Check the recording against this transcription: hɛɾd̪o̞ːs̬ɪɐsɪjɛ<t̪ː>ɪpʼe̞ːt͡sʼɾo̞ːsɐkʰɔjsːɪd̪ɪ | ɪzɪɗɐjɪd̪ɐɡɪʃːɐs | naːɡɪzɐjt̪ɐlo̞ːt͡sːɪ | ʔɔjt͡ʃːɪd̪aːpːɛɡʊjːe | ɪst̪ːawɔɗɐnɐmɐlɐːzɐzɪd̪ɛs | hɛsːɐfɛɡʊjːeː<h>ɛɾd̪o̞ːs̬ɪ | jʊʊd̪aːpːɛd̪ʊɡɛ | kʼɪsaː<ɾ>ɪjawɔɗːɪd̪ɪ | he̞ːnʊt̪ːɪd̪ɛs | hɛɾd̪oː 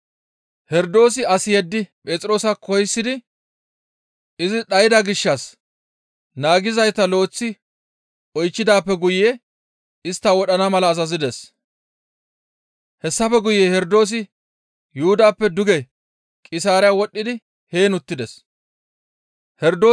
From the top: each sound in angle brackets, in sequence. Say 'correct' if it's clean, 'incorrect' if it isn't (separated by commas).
incorrect, correct, correct